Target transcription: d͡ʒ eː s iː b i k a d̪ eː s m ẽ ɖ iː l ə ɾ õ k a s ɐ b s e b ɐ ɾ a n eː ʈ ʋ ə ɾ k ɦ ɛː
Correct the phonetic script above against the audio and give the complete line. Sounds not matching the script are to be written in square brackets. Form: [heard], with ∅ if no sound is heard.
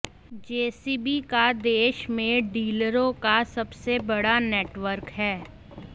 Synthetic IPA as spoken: d͡ʒ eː s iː b i k a d̪ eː [ʃ] m ẽ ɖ iː l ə ɾ õ k a s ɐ b s e b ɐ [ɽ] a n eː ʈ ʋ ə ɾ k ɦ ɛː

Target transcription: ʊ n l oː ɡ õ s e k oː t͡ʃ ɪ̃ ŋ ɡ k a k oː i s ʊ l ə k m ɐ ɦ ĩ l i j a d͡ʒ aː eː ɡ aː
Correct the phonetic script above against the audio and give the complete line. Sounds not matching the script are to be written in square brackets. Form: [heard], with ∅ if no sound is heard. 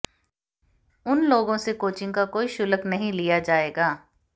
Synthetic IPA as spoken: ʊ n l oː ɡ õ s e k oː t͡ʃ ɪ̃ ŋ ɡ k a k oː i [ʃ] ʊ l ə k [n] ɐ ɦ ĩ l i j a d͡ʒ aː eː ɡ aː

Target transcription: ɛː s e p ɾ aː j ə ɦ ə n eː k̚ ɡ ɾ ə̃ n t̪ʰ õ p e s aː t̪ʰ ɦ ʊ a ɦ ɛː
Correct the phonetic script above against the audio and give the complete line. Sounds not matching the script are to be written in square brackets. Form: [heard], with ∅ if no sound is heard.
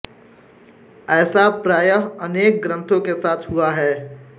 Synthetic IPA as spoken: ɛː s [a] p ɾ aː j ə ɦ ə n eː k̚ ɡ ɾ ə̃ n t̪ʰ õ [k] e s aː t̪ʰ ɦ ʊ a ɦ ɛː

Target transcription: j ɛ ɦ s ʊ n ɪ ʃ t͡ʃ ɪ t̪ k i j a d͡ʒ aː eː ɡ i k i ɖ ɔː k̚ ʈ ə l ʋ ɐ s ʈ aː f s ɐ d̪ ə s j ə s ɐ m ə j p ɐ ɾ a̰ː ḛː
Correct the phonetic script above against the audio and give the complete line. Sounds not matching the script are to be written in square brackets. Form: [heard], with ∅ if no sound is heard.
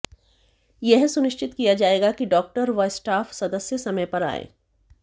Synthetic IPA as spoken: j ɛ ɦ s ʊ n ɪ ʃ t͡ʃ ɪ t̪ k i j a d͡ʒ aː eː ɡ [a] k i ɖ ɔː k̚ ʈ ə [ɾ] ʋ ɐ s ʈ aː f s ɐ d̪ ə s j ə s ɐ m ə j p ɐ ɾ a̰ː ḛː

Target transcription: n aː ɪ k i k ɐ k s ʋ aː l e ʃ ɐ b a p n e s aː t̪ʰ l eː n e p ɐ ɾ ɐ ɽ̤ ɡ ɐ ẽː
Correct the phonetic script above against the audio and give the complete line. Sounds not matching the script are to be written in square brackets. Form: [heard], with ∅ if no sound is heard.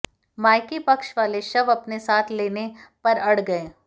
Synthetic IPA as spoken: [m] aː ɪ k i [p] ɐ k [ʃ] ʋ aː l e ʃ ɐ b [ɐ] p n e s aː t̪ʰ l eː n e p ɐ ɾ ɐ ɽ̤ ɡ ɐ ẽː

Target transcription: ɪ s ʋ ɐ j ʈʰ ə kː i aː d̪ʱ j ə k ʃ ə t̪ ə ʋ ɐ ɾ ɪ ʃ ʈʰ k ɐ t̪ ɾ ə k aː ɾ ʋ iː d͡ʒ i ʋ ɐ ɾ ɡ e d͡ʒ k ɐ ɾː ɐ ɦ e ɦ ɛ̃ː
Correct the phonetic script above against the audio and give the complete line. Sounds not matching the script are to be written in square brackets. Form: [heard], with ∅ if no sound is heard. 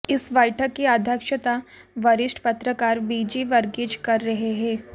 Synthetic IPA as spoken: ɪ s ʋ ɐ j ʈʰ ə kː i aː d̪ʱ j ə k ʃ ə t̪ [a] ʋ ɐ ɾ ɪ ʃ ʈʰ [p] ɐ t̪ ɾ ə k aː ɾ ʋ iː d͡ʒ i ʋ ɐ ɾ ɡ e d͡ʒ k ɐ ɾː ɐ ɦ e ɦ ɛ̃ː

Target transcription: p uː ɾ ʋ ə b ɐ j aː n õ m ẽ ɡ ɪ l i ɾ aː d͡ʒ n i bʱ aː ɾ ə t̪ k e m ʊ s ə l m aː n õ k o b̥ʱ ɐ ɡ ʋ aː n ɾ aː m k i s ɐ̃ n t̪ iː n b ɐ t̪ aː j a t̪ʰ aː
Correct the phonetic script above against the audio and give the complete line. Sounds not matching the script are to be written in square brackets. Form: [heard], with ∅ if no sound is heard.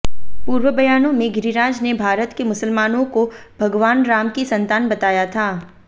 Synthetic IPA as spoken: p uː ɾ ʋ ə b ɐ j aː n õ m ẽ ɡ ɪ [ɾ] i ɾ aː d͡ʒ n [e] bʱ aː ɾ ə t̪ k e m ʊ s ə l m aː n õ k o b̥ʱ ɐ ɡ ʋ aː n ɾ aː m k i s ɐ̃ n t̪ [aː] n b ɐ t̪ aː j a t̪ʰ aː

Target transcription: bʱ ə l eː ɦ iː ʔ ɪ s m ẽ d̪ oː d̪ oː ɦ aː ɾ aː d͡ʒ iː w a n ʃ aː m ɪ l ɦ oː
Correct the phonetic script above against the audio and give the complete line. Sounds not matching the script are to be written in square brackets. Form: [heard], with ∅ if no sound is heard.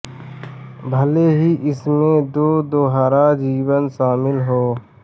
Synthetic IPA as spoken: bʱ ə l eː ɦ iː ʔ ɪ s m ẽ d̪ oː d̪ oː ɦ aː ɾ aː d͡ʒ iː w [ə] n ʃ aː m ɪ l ɦ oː

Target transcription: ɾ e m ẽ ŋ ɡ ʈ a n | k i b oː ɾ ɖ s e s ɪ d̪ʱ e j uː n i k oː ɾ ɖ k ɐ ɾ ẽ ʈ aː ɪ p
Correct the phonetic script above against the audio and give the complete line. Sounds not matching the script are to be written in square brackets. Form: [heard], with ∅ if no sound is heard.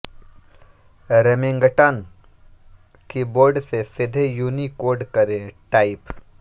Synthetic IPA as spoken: ɾ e m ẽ ŋ ɡ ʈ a n | k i b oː ɾ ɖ s e s ɪ d̪ʱ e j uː n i k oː ɾ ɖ k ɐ ɾ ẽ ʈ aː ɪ p

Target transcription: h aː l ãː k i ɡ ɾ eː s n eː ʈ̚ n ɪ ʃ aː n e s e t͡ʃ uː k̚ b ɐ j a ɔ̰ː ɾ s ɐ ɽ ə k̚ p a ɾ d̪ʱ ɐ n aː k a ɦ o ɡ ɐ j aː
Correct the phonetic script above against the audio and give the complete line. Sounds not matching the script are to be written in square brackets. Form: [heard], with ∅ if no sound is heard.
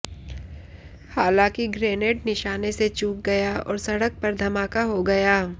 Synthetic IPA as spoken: h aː l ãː k i ɡ ɾ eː [∅] n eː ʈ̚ n ɪ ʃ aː n e s e t͡ʃ uː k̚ [ɡ] ɐ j a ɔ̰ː ɾ s ɐ ɽ ə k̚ p [ɐ] ɾ d̪ʱ ɐ [m] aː k a ɦ o ɡ ɐ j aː

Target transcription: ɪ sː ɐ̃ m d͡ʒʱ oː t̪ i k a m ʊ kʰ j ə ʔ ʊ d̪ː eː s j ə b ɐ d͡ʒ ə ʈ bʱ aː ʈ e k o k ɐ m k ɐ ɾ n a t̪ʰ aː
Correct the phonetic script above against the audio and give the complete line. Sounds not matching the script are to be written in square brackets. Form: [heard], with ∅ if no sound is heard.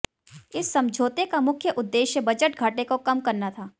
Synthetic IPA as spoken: ɪ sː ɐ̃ m d͡ʒʱ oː t̪ [e] k a m ʊ kʰ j ə ʔ ʊ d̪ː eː [ʃ] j ə b ɐ d͡ʒ ə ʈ [ɡʱ] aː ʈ e k o k ɐ m k ɐ ɾ n a t̪ʰ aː

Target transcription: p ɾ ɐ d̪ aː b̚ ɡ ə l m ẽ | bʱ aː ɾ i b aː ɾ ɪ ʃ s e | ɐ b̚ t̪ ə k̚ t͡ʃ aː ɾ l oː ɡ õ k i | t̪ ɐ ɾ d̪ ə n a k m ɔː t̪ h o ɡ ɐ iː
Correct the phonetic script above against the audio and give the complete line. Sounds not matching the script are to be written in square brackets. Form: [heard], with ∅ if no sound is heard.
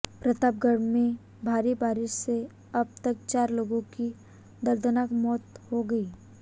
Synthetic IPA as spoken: p ɾ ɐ [t̪] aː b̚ ɡ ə [ɽ] m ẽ | bʱ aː ɾ i b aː ɾ ɪ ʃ s e | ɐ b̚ t̪ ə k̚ t͡ʃ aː ɾ l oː ɡ õ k i | [d̪] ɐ ɾ d̪ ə n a k m ɔː t̪ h o ɡ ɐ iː

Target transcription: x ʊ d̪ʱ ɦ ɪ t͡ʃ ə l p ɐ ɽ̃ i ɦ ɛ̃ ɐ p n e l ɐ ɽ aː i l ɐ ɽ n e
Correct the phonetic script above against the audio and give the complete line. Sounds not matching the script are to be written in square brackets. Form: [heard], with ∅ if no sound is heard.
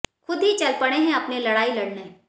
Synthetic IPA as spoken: x ʊ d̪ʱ ɦ [i] t͡ʃ [ɐ] l p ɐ ɽ̃ [e] ɦ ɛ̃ ɐ p n e l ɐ ɽ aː i l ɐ ɽ n e

